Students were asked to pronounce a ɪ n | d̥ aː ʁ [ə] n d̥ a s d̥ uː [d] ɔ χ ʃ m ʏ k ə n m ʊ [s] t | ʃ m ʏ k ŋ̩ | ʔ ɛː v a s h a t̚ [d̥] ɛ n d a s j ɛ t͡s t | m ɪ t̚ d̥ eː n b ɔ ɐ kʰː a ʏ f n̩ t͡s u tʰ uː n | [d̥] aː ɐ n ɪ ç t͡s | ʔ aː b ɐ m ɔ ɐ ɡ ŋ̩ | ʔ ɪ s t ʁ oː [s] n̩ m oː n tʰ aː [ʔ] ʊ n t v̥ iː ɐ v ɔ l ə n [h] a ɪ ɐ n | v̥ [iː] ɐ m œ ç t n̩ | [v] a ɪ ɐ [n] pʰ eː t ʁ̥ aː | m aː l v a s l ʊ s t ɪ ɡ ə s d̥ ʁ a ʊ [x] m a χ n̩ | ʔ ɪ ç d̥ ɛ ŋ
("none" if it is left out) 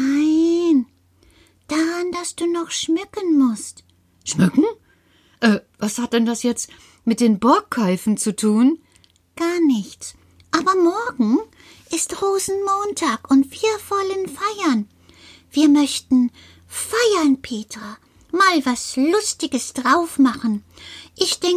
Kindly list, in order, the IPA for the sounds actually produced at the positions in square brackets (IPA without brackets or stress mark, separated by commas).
a, n, s, d̥, ɡ̥, z, k, f, iː, f, n, f